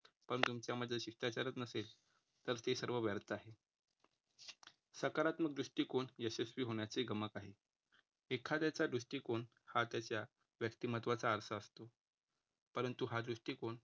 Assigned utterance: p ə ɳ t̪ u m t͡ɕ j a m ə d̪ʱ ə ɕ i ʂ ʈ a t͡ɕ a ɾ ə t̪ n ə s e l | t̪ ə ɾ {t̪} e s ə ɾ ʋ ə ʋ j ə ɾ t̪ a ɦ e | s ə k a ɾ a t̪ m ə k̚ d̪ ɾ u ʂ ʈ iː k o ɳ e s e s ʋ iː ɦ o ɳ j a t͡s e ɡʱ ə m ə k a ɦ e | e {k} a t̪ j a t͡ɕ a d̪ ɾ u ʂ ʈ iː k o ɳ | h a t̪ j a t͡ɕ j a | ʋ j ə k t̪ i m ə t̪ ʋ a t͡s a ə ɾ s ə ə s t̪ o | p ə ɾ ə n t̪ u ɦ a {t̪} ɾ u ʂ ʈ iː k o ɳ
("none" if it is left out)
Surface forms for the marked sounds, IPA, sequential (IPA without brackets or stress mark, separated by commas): t̪, kʰ, d̪